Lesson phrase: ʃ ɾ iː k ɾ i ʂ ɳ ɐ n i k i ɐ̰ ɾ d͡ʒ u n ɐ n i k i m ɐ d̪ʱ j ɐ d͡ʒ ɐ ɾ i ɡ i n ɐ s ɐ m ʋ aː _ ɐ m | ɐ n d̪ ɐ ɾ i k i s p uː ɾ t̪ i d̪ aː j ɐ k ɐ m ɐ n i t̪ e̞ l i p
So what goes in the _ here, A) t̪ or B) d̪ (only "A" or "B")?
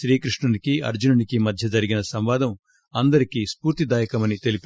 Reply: B